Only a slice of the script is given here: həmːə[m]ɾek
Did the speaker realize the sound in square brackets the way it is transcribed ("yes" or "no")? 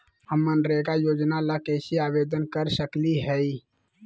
no